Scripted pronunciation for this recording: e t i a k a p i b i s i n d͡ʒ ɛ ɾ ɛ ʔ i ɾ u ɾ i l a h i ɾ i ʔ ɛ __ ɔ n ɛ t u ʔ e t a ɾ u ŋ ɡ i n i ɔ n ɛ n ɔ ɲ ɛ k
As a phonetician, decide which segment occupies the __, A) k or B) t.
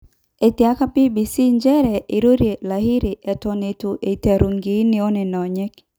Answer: B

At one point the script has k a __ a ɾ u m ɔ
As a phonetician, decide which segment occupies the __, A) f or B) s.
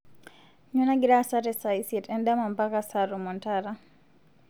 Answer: B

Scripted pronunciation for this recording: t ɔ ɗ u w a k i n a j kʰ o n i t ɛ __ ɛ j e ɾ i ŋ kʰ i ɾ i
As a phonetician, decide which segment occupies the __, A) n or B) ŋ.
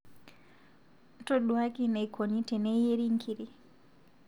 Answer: A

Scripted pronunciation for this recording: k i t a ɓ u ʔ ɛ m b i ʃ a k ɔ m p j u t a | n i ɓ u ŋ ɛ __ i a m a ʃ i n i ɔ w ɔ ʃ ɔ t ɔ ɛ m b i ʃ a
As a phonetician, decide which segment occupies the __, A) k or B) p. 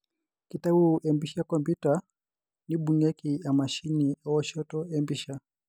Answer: A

